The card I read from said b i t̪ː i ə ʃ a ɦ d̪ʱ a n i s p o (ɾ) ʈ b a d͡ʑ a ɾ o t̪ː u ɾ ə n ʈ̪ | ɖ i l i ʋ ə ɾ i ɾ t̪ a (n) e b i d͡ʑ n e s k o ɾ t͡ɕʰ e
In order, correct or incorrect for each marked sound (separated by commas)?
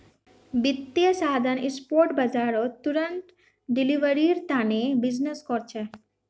correct, correct